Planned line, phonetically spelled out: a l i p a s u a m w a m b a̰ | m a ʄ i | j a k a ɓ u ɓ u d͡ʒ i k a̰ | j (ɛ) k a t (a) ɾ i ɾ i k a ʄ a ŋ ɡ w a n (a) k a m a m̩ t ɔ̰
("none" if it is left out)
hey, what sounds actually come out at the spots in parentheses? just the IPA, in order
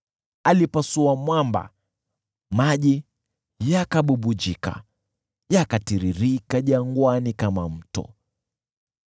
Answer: a, i, i

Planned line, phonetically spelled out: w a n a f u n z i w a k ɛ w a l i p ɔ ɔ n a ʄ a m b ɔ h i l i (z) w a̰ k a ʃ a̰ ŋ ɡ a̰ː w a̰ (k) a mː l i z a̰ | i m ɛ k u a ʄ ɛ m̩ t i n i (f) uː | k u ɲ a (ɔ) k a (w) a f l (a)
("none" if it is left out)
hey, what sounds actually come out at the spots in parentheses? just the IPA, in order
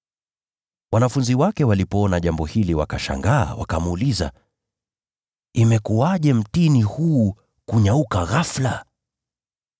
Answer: none, k, h, u, ɣ, a

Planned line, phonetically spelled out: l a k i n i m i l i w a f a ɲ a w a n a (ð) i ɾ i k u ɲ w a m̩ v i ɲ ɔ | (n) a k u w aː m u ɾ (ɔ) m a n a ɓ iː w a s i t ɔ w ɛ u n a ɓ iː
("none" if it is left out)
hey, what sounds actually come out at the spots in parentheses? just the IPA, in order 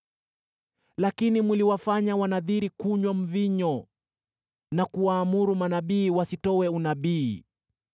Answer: ð, n, u

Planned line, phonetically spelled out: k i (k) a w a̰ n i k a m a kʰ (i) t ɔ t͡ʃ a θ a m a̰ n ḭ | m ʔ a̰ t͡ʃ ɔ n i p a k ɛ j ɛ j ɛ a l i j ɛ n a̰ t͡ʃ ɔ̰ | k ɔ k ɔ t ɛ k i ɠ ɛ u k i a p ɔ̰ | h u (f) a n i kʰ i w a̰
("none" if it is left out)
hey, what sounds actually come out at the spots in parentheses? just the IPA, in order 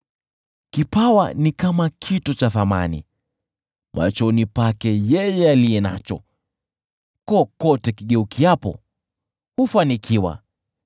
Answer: p, i, f

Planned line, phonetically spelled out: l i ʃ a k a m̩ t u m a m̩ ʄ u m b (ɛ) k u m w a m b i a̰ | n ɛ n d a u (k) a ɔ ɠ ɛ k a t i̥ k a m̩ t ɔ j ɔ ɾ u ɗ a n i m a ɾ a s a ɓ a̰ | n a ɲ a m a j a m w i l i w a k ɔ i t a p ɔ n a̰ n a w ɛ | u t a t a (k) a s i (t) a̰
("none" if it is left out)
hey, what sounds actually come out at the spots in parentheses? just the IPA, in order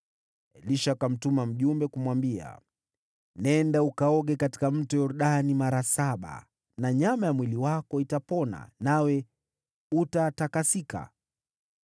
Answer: ɛ, k, k, k

